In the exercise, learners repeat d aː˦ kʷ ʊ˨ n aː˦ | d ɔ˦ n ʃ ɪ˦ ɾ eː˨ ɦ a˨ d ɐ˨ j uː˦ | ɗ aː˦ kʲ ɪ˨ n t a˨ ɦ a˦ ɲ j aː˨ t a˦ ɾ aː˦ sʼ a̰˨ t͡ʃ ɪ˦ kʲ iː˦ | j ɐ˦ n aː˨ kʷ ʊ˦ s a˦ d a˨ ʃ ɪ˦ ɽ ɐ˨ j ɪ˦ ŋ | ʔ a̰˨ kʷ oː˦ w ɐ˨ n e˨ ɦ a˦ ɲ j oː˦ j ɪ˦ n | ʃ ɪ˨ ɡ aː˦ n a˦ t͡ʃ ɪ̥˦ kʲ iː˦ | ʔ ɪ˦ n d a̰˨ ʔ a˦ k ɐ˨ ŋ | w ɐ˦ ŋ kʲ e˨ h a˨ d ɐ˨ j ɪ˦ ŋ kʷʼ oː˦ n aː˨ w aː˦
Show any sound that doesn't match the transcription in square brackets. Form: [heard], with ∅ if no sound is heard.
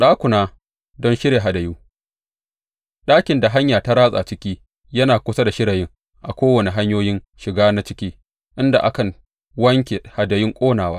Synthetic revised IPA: [ɗ] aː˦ kʷ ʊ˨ n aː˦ | d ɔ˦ n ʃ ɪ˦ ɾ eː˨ ɦ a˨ d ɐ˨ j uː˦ | ɗ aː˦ kʲ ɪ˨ n [d] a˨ ɦ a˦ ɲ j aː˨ t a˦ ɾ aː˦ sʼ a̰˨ t͡ʃ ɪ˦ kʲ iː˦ | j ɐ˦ n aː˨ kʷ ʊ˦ s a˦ d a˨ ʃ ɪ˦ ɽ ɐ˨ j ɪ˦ ŋ | ʔ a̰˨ kʷ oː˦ w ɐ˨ n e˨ ɦ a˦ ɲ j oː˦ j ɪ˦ n | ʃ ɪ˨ ɡ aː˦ n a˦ t͡ʃ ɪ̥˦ kʲ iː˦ | ʔ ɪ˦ n d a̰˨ ʔ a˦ k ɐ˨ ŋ | w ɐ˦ ŋ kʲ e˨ h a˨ d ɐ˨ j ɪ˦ ŋ kʷʼ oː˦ n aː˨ w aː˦